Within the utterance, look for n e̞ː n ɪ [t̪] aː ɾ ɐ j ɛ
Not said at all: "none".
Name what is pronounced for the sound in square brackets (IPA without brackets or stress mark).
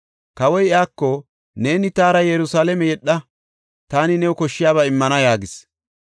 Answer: t̪